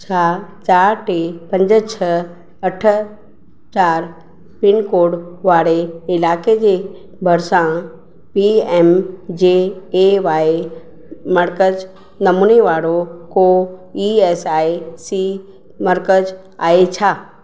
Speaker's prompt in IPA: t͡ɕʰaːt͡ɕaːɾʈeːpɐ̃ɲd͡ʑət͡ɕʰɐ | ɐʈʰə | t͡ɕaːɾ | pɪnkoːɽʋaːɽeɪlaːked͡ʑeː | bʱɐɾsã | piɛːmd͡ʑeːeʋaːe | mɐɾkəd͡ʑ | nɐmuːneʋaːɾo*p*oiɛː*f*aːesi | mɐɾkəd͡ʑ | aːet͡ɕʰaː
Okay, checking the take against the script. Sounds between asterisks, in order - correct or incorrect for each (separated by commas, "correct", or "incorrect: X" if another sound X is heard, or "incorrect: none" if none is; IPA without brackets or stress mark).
incorrect: k, incorrect: s